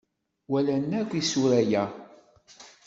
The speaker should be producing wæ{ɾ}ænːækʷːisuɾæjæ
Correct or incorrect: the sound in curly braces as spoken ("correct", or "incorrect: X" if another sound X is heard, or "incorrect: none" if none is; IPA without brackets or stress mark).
incorrect: l